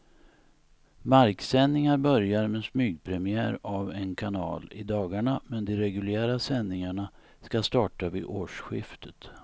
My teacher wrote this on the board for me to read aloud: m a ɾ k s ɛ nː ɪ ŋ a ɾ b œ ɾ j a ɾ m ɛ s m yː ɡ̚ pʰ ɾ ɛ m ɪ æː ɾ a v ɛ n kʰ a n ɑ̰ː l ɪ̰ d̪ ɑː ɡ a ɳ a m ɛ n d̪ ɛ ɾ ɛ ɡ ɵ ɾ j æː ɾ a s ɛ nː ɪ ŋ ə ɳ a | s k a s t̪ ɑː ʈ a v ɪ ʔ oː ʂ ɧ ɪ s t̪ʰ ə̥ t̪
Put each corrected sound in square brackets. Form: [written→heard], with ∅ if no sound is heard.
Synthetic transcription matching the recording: m a ɾ k s ɛ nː ɪ ŋ a ɾ b œ ɾ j a ɾ m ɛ s m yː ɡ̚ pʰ ɾ ɛ m ɪ æː ɾ a v ɛ n kʰ a n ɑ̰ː l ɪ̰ d̪ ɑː ɡ a ɳ a m ɛ n d̪ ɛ ɾ ɛ ɡ ɵ [ɾ→l] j æː ɾ a s ɛ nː ɪ ŋ [ə→a] ɳ a | s k a s t̪ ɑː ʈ a v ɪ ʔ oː ʂ ɧ ɪ [s→f] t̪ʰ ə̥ t̪

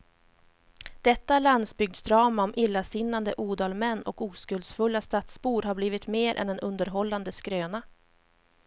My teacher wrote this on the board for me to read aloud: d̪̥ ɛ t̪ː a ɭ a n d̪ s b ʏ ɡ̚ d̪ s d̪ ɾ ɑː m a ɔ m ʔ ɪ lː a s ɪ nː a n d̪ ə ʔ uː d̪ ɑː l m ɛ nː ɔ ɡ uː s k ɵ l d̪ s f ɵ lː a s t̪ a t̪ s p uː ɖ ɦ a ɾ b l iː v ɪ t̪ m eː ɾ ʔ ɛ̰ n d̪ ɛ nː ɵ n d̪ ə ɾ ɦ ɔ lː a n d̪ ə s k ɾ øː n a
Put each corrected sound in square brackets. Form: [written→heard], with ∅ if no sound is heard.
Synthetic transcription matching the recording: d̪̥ ɛ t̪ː a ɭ a n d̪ s b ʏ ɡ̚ d̪ s d̪ ɾ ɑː m a ɔ m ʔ ɪ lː a s ɪ nː a n d̪ ə ʔ uː d̪ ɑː l m ɛ nː ɔ [ɡ→k] uː s k ɵ l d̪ s f ɵ lː a s t̪ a t̪ s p uː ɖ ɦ a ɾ b l iː v ɪ t̪ m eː ɾ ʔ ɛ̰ n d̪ ɛ [nː→n] ɵ n d̪ ə ɾ ɦ ɔ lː a n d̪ ə s k ɾ øː n a

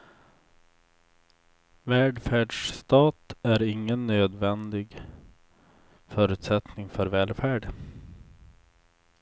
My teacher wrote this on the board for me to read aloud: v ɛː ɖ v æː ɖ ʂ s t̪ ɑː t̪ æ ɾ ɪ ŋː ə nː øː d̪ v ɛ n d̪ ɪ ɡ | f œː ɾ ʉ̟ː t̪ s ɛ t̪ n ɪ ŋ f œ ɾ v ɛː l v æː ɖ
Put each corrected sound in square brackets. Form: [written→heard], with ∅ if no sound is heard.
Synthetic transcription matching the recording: v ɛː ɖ [v→f] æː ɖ ʂ s t̪ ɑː t̪ æ ɾ ɪ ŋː ə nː øː d̪ v ɛ n d̪ ɪ ɡ | f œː ɾ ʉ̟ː t̪ s ɛ t̪ n ɪ ŋ f œ ɾ v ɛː l [v→f] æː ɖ

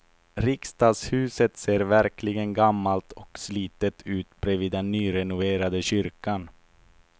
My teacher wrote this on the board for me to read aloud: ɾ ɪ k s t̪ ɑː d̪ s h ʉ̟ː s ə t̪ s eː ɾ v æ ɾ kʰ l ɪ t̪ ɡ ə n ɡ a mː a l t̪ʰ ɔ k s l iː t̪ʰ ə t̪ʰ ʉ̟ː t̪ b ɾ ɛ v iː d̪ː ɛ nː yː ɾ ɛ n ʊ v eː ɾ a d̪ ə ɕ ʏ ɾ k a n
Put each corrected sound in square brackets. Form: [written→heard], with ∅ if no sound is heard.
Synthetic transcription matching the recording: ɾ ɪ k s t̪ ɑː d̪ s h ʉ̟ː s ə t̪ s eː ɾ v æ ɾ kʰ l ɪ [t̪→∅] ɡ ə n ɡ a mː a l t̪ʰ ɔ k s l iː [t̪ʰ→t̪] ə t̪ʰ ʉ̟ː t̪ b ɾ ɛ v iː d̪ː ɛ nː yː ɾ ɛ n ʊ v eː ɾ a d̪ ə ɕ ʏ ɾ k a n

